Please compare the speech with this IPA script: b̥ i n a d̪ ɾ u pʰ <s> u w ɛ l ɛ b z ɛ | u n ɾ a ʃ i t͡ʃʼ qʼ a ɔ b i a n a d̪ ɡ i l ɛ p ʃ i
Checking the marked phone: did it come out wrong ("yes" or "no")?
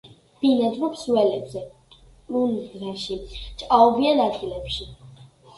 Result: no